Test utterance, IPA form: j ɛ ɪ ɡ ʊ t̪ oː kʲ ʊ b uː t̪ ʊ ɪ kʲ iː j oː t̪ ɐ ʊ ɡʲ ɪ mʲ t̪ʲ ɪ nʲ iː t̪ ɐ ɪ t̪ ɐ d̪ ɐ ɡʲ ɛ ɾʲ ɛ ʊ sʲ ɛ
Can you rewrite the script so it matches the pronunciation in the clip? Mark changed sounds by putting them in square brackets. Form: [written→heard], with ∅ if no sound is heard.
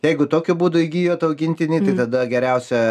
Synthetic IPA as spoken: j ɛ ɪ ɡ ʊ t̪ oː kʲ ʊ b uː [t̪→d̪] ʊ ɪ [kʲ→ɡʲ] iː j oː t̪ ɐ ʊ ɡʲ ɪ [mʲ→nʲ] t̪ʲ ɪ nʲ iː t̪ ɐ ɪ t̪ ɐ d̪ ɐ ɡʲ ɛ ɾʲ ɛ ʊ sʲ ɛ